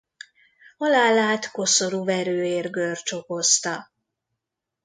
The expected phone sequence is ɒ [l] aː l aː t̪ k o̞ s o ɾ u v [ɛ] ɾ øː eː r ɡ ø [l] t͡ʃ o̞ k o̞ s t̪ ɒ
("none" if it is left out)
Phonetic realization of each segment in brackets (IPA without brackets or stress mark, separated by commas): l, ɛ, r